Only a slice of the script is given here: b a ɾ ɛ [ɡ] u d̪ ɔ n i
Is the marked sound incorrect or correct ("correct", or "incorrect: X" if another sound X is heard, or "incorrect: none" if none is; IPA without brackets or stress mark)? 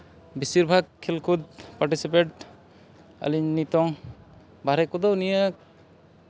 incorrect: k